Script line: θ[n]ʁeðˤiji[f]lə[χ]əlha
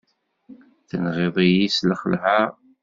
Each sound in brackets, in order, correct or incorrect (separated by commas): correct, incorrect, correct